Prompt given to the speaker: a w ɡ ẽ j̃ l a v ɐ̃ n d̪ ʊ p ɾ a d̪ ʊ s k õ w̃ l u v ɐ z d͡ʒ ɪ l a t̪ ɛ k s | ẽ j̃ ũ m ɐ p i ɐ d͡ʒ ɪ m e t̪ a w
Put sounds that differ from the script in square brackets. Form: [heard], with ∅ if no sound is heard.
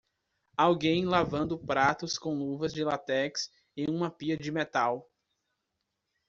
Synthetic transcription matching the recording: a w ɡ ẽ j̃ l a v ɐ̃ n d̪ ʊ p ɾ a [t̪] ʊ s k õ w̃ l u v ɐ z d͡ʒ ɪ l a t̪ ɛ k s | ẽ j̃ ũ m ɐ p i ɐ d͡ʒ ɪ m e t̪ a w